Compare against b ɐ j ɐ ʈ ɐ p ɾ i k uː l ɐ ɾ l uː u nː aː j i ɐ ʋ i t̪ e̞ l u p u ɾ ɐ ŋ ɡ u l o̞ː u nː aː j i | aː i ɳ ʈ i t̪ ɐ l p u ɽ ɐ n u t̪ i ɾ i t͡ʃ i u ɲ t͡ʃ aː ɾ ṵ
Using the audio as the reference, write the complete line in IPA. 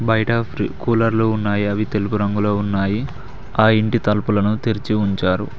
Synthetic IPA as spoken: b ɐ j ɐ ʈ ɐ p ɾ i k uː l ɐ ɾ l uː u nː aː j i ɐ ʋ i t̪ e̞ l u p u ɾ ɐ ŋ ɡ u l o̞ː u nː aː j i | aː i ɳ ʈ i t̪ ɐ l p u l ɐ n u t̪ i ɾ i t͡ʃ i u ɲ t͡ʃ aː ɾ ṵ